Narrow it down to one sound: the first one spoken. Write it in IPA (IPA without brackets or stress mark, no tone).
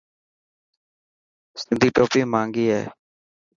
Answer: s